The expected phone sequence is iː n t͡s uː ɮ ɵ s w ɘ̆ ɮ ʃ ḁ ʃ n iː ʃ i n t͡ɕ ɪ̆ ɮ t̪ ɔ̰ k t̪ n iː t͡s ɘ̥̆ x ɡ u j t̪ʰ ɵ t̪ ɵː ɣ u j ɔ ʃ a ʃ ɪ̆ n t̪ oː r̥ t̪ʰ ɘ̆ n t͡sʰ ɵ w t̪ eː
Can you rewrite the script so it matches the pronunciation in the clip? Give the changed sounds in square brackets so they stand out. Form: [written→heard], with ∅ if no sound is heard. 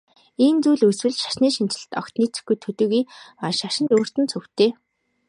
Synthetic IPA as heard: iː n t͡s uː ɮ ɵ s w ɘ̆ ɮ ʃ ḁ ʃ n iː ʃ i n t͡ɕ ɪ̆ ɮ t̪ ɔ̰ k t̪ n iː t͡s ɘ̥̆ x ɡ u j t̪ʰ ɵ t̪ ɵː ɣ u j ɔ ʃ a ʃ ɪ̆ n t̪ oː r̥ [t̪ʰ→t̪] ɘ̆ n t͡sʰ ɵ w t̪ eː